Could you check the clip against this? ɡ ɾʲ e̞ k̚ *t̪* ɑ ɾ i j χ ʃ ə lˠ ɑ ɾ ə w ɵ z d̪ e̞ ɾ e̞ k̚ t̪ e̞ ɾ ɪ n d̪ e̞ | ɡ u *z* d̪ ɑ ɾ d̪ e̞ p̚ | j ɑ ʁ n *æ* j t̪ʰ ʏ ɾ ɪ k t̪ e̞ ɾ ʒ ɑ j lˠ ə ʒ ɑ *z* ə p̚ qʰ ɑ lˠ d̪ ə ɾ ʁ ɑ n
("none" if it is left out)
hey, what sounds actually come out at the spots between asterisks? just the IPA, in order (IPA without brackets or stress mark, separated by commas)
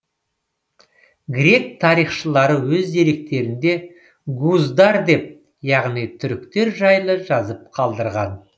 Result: t̪ʰ, z, i, z